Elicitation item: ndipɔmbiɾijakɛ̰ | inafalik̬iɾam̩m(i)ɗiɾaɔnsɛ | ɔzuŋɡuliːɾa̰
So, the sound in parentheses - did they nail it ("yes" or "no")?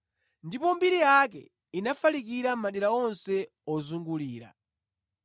no